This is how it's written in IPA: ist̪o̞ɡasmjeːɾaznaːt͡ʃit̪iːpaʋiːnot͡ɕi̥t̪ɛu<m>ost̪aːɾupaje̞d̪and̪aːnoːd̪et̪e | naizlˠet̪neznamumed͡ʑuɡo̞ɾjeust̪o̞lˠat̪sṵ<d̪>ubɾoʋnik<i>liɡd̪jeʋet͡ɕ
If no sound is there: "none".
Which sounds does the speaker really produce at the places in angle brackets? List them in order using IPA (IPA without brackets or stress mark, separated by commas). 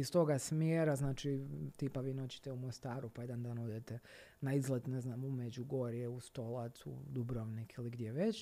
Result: m, d̪, i